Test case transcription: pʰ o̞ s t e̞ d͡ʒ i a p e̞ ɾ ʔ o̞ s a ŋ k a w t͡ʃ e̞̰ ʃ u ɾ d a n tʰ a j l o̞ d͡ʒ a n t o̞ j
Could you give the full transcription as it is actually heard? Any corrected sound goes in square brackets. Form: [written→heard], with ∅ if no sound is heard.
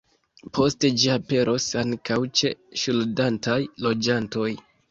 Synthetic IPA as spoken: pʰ o̞ s t e̞ d͡ʒ i a p e̞ ɾ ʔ o̞ s a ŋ k a w t͡ʃ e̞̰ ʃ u [ɾ→l] d a n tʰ a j l o̞ d͡ʒ a n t o̞ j